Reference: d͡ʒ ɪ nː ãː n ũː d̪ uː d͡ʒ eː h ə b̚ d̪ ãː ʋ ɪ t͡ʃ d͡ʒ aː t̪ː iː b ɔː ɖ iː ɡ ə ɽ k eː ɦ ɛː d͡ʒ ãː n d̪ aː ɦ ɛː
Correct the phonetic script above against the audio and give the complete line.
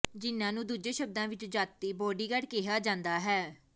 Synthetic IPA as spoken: d͡ʒ ɪ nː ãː n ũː d̪ uː d͡ʒ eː ʃ ə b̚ d̪ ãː ʋ ɪ t͡ʃ d͡ʒ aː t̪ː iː b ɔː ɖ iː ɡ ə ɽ k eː ɦ aː d͡ʒ ãː n d̪ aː ɦ ɛː

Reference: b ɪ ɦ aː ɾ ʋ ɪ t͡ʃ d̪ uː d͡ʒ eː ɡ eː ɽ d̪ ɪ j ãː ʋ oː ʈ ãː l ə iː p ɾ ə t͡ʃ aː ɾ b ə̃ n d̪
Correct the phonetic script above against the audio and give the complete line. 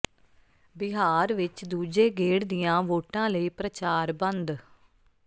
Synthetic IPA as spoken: b ɪ ɦ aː ɾ ʋ ɪ t͡ʃ d̪ uː d͡ʒ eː ɡ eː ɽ d̪ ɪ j ãː ʋ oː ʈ ãː l ə iː p ɾ ə t͡ʃ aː ɾ b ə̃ n d̪

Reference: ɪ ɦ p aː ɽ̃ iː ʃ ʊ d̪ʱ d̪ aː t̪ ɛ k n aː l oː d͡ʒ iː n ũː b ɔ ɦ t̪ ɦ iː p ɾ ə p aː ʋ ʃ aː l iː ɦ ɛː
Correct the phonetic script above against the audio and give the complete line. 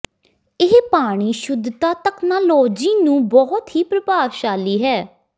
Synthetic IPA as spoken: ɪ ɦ p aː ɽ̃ iː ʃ ʊ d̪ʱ t̪ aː t̪ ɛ k n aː l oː d͡ʒ iː n ũː b ɔ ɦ t̪ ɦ iː p ɾ ə p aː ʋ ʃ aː l iː ɦ ɛː

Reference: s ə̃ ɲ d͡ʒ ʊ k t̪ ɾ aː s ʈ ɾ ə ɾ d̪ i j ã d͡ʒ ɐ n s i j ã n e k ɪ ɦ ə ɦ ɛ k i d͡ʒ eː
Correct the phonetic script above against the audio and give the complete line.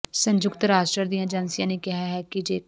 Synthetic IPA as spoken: s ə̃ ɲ d͡ʒ ʊ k t̪ ɾ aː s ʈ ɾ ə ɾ d̪ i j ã d͡ʒ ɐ n s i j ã n e k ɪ ɦ a ɦ ɛ k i d͡ʒ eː

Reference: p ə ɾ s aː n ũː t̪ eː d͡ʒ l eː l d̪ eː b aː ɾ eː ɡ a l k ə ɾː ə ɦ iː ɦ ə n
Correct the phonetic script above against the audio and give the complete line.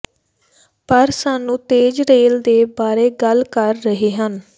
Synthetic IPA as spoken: p ə ɾ s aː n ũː t̪ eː d͡ʒ ɾ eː l d̪ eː b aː ɾ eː ɡ ə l k ə ɾː ə ɦ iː ɦ ə n

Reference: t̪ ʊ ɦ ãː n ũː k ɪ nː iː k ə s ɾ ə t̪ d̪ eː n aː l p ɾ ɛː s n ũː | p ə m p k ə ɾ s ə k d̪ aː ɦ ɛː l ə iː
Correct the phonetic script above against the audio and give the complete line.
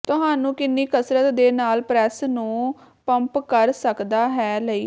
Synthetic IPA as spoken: t̪ ʊ ɦ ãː n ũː k ɪ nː iː k ə s ɾ ə t̪ d̪ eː n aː l p ɾ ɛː s n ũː | p ə m p k ə ɾ s ə k d̪ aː ɦ ɛː l ə iː

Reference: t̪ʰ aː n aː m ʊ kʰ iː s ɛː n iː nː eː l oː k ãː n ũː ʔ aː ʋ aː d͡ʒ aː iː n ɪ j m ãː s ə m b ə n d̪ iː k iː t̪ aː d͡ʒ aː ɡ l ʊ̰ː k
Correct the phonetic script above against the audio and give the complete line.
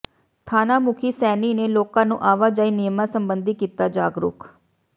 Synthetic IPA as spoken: t̪ʰ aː n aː m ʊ kʰ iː s ɛː n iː n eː l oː k ãː n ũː ʔ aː ʋ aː d͡ʒ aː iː n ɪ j m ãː s ə m b ə n d̪ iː k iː t̪ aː d͡ʒ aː ɡ ɾ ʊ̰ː k

